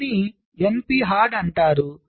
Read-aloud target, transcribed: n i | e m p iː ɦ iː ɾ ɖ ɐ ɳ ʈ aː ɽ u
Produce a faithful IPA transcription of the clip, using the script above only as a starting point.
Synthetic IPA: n i | e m p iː ɦ aː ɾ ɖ ɐ ɳ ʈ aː ɾ u